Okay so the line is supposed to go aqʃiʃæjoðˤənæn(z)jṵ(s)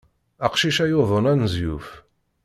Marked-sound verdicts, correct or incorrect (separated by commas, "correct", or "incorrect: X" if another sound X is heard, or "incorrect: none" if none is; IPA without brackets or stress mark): correct, incorrect: f